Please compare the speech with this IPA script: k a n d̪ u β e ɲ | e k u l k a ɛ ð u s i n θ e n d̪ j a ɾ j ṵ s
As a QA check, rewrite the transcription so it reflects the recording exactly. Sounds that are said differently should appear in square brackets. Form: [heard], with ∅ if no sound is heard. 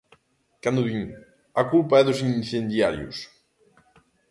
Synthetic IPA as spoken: k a n d̪ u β [i] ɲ | [a] k u l [p] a ɛ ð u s i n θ e n d̪ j a ɾ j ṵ s